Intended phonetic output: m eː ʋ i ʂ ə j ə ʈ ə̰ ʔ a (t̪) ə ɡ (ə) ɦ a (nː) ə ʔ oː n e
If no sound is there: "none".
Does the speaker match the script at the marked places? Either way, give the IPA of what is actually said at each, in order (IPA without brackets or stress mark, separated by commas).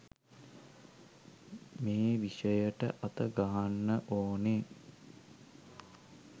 t̪, a, nː